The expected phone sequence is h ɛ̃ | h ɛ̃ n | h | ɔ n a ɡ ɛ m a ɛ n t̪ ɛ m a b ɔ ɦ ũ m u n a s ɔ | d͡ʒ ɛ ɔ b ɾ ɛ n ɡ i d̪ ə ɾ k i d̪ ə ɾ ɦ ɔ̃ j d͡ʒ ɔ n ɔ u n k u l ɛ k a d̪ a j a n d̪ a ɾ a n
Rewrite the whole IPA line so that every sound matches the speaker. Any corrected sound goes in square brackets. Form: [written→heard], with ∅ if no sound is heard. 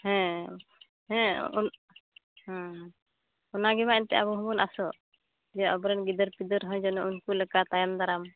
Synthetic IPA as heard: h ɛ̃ | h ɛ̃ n | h | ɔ n a ɡ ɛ m a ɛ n t̪ ɛ [m→∅] a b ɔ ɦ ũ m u n a s ɔ | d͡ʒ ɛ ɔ b ɾ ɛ n ɡ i d̪ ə ɾ [k→p] i d̪ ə ɾ ɦ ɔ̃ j d͡ʒ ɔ n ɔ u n k u l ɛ k a [d̪→t̪] a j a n d̪ a ɾ a [n→m]